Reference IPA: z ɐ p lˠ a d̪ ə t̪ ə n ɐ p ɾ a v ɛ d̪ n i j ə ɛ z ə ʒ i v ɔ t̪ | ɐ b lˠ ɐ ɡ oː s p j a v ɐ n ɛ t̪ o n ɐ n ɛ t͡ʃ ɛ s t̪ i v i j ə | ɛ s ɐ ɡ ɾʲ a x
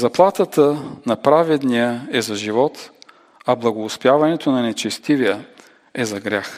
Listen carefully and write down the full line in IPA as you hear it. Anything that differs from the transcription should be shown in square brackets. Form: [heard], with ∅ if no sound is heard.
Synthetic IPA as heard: z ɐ p lˠ a [t̪] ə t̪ ə n ɐ p ɾ a v ɛ d̪ n i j ə ɛ z [ɐ] ʒ i v ɔ t̪ | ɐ b lˠ ɐ ɡ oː s p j a v ɐ n ɛ t̪ o n ɐ n ɛ t͡ʃ ɛ s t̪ i v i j ə | ɛ [z] ɐ ɡ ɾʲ a x